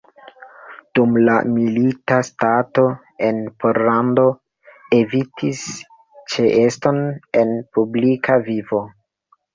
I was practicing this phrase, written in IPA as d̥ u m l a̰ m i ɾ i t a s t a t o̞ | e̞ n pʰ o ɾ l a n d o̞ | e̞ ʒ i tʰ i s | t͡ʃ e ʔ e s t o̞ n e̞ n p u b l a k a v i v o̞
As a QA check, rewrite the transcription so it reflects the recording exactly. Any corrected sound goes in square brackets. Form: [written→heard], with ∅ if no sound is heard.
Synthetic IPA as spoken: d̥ u m l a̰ m i [ɾ→l] i t a s t a t o̞ | e̞ n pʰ o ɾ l a n d o̞ | e̞ [ʒ→v] i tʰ i s | t͡ʃ e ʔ e s t o̞ n e̞ n p u b l [a→i] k a v i v o̞